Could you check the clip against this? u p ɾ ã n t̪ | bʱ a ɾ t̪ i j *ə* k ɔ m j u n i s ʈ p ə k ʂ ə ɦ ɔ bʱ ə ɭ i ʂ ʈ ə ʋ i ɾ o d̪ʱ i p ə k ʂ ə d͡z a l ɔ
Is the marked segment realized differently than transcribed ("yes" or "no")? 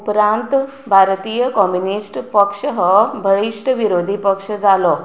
no